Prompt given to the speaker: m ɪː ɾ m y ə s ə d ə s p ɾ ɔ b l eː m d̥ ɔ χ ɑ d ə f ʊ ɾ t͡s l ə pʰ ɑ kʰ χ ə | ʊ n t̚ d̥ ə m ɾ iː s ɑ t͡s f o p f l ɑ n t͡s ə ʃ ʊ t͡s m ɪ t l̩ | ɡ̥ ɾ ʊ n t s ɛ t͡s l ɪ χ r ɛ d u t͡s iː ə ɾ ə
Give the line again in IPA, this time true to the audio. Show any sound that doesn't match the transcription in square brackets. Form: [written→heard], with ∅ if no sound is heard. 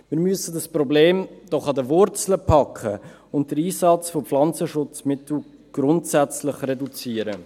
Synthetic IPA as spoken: m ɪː ɾ m y ə s ə d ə s p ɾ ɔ b l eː m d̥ ɔ χ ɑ d ə [f→v] ʊ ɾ t͡s l ə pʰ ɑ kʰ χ ə | ʊ n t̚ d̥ ə [m→∅] ɾ iː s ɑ t͡s f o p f l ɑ n t͡s ə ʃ ʊ t͡s m ɪ t l̩ | ɡ̥ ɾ ʊ n t s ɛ t͡s l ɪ χ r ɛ d u t͡s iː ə ɾ ə